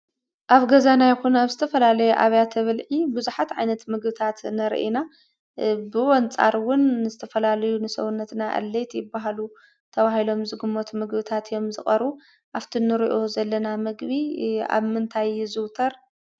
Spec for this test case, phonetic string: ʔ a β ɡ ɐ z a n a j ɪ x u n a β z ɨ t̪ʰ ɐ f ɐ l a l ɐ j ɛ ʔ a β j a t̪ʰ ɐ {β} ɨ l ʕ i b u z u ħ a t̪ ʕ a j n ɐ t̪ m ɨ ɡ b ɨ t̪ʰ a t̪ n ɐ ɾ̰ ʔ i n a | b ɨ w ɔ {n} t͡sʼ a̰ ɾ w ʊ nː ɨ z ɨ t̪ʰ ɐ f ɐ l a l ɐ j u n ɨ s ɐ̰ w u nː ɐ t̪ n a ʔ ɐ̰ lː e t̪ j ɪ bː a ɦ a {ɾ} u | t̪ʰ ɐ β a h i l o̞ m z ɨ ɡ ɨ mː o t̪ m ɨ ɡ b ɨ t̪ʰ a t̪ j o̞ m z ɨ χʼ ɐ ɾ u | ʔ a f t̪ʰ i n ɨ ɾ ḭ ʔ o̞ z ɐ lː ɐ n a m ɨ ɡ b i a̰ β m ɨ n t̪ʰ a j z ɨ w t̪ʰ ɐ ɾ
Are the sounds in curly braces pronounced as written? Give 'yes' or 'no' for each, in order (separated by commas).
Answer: yes, yes, no